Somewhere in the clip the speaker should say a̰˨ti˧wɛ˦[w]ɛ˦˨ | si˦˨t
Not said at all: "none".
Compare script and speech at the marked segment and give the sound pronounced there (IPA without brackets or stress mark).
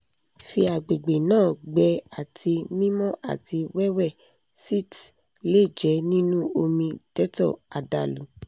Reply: w